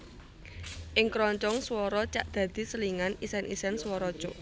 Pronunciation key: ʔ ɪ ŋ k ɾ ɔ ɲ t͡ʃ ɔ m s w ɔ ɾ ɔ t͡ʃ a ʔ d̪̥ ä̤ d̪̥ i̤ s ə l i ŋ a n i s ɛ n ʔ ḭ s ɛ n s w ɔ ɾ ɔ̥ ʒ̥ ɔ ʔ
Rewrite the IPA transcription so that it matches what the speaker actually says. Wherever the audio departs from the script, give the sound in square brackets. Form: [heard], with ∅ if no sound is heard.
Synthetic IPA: ʔ ɪ ŋ k ɾ ɔ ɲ t͡ʃ ɔ [ŋ] s w ɔ ɾ ɔ t͡ʃ a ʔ d̪̥ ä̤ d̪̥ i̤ s ə l i ŋ a n i s ɛ n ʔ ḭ s ɛ n s w ɔ ɾ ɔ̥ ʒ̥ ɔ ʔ